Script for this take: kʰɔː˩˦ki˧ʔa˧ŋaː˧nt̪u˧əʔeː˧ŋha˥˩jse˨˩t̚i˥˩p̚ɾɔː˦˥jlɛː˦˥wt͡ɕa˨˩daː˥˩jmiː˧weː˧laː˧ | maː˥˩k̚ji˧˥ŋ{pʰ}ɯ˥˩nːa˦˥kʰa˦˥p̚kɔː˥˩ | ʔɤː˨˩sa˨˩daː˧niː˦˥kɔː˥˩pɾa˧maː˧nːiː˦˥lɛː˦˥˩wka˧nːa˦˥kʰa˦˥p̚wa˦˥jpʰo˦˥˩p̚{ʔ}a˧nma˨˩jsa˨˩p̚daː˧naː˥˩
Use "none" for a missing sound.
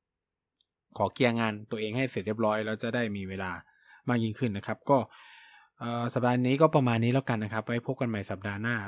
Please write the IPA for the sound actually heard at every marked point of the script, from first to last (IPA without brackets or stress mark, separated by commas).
kʰ, k